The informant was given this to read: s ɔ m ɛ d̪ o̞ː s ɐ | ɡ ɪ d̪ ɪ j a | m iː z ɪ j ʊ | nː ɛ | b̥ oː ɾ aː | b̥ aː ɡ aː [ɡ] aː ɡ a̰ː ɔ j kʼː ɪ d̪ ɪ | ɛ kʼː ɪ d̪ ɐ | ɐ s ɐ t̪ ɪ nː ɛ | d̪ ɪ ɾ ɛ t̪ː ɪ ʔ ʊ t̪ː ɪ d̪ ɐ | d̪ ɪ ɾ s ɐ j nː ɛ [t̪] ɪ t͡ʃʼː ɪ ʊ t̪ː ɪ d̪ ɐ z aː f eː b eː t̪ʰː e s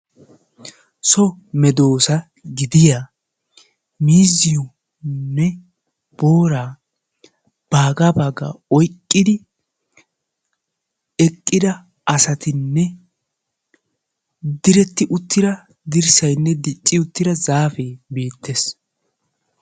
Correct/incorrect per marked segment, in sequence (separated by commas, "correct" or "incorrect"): incorrect, incorrect